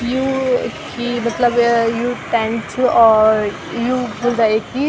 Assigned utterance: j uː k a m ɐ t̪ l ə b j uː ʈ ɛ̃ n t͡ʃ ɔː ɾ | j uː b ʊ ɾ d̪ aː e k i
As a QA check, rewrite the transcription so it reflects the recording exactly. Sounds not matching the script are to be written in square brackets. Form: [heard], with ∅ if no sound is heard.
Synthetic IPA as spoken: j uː k [i] m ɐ t̪ l ə b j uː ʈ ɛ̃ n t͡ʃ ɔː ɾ | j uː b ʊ [l] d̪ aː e k i